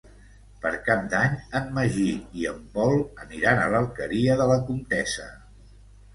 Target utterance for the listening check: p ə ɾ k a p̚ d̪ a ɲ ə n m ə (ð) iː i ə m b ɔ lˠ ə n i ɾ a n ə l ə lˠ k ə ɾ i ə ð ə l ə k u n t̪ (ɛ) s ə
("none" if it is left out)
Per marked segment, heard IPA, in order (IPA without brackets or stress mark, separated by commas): ʒ, ɛ